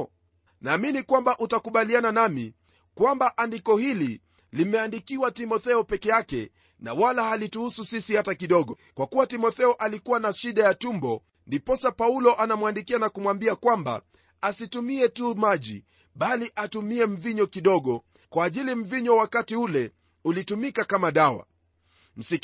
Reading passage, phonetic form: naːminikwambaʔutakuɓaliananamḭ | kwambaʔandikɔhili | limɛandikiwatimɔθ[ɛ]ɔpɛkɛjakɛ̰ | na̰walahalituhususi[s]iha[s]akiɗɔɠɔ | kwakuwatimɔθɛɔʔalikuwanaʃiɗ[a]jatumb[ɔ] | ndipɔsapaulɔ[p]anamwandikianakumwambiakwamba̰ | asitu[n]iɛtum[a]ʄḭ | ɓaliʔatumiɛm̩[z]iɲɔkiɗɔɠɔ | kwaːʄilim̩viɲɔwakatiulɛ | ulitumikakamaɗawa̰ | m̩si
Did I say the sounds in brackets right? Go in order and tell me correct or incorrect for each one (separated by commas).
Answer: correct, correct, incorrect, correct, correct, incorrect, incorrect, correct, incorrect